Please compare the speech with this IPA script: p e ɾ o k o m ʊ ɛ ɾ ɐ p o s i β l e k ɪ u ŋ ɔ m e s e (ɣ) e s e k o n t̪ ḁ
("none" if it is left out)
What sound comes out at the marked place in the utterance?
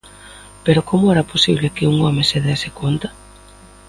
ð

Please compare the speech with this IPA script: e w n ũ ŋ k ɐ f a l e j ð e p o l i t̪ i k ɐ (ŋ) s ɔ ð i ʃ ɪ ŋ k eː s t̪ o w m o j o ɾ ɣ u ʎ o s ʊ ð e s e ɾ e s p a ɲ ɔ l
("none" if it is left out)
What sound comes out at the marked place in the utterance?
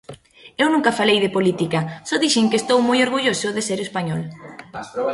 none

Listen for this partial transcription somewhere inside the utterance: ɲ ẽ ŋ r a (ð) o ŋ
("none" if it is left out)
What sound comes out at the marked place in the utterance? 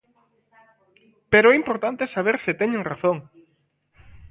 θ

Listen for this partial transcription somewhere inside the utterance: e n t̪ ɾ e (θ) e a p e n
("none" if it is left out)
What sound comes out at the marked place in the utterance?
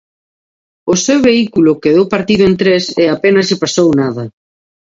s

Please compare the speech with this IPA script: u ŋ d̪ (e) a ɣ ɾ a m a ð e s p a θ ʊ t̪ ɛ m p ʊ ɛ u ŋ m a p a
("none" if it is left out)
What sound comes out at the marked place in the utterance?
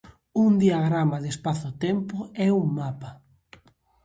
i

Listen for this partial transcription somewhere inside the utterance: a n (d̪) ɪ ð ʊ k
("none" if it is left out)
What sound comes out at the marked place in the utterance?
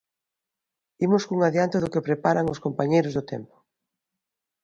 t̪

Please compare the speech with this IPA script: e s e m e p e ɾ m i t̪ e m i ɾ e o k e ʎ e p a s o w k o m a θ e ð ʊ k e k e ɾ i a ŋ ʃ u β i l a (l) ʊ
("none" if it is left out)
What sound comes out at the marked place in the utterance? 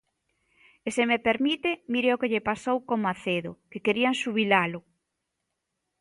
l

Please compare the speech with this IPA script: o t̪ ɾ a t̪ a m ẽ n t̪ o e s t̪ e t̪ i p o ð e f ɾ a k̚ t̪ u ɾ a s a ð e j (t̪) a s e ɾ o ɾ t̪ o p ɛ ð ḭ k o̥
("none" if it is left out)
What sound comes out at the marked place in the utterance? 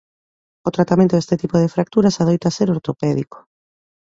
t̪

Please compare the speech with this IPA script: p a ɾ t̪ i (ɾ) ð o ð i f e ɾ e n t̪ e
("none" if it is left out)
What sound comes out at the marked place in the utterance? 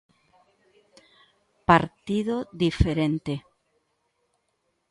none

